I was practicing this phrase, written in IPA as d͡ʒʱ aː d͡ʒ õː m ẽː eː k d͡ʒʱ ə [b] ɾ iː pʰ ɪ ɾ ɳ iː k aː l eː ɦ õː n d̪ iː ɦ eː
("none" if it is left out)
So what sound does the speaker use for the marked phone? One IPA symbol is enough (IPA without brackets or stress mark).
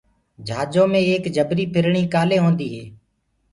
b